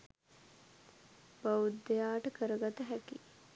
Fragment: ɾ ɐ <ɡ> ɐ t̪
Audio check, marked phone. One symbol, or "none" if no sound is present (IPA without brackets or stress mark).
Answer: ɡ